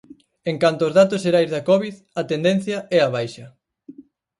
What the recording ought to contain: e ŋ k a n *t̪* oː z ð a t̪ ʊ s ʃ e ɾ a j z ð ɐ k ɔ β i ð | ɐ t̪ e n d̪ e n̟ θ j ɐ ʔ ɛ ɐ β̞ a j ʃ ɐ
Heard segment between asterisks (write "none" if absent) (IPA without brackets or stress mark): t̪